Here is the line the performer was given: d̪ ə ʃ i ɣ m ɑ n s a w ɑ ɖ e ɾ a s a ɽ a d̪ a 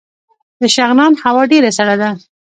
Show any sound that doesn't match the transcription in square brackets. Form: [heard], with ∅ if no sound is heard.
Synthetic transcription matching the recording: d̪ ə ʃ [a] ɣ [n] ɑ n [h] a w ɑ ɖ e ɾ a s a ɽ a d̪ a